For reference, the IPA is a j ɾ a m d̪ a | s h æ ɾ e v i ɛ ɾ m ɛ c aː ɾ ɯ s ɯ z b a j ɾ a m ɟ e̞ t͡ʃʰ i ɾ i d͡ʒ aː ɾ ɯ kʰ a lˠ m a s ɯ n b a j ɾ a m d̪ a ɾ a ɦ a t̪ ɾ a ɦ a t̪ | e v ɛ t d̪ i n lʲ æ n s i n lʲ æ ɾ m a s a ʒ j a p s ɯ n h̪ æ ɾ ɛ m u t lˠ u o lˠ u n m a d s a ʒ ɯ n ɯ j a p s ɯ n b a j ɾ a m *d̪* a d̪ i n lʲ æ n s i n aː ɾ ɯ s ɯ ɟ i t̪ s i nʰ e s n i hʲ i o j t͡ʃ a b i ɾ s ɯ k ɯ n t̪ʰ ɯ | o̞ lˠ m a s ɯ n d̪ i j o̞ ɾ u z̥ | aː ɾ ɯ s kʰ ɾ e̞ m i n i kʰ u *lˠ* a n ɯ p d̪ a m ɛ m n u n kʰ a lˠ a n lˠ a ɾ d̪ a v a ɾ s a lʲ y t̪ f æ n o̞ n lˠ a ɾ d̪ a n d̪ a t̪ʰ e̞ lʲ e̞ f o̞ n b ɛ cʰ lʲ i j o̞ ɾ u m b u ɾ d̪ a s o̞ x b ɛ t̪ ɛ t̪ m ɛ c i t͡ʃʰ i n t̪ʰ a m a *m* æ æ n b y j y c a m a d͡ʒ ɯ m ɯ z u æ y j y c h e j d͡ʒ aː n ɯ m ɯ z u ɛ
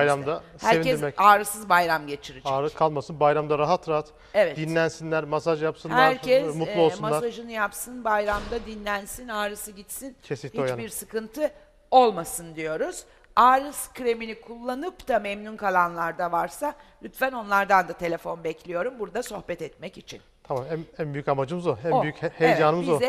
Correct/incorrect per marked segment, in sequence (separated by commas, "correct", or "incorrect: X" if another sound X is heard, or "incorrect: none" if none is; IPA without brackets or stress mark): correct, incorrect: lˠː, correct